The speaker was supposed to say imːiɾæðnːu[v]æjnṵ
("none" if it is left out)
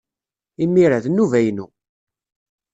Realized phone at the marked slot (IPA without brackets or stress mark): v